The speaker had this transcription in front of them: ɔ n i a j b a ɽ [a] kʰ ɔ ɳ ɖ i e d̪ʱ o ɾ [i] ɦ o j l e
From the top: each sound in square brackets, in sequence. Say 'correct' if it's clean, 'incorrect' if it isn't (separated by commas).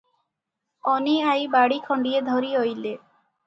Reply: incorrect, correct